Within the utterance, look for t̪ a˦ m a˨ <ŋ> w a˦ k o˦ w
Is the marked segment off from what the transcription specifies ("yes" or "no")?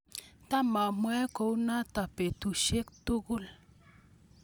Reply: yes